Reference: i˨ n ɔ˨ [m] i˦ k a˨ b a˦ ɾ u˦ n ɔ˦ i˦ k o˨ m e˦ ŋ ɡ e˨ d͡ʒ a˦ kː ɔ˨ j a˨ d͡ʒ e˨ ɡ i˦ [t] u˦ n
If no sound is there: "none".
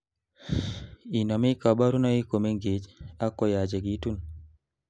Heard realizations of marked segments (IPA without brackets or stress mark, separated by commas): m, t